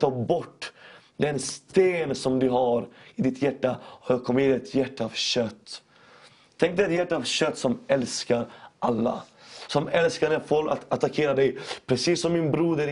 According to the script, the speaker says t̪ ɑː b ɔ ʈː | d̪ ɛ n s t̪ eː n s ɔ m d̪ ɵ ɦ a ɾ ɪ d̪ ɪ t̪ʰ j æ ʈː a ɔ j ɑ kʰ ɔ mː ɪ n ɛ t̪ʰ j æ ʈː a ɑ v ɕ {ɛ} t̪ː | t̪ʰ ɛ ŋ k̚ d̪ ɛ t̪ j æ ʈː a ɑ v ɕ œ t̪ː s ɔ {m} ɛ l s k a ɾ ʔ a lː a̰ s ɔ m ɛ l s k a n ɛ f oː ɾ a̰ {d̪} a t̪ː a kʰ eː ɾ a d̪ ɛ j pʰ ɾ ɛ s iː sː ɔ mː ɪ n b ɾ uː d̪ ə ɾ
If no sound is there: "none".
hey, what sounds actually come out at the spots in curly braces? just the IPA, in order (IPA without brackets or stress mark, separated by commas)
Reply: œ, m, t̪